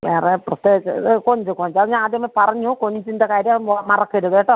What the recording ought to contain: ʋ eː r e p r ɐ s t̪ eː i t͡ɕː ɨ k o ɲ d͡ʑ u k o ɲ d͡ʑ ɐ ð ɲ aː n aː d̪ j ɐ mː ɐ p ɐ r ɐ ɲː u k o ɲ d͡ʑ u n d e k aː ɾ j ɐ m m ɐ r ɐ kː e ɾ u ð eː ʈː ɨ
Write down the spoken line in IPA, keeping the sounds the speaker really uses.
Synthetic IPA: ʋ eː r e p r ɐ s t̪ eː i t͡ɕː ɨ k o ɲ d͡ʑ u k o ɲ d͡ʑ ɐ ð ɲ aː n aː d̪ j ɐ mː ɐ p ɐ r ɐ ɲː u k o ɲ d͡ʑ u n d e k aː ɾ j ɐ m m ɐ r ɐ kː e ɾ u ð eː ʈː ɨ